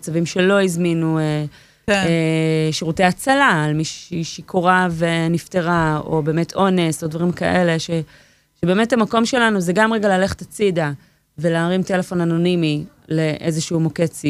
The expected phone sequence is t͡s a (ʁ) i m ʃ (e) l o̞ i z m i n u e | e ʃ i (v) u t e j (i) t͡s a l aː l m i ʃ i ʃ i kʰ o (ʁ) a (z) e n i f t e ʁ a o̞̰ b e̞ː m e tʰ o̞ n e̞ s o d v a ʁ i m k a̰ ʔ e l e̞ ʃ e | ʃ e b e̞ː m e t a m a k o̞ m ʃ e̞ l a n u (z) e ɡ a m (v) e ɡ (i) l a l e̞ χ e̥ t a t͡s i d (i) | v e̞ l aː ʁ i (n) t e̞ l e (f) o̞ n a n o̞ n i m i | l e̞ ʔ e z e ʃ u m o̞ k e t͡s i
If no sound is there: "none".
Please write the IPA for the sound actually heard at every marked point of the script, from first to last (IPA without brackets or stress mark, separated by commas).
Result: v, e, ʁ, a, ʁ, v, z, ʁ, a, a, m, f